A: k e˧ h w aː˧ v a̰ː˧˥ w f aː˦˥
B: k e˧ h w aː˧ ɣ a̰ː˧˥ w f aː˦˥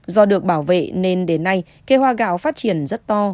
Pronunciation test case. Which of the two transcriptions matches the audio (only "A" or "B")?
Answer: B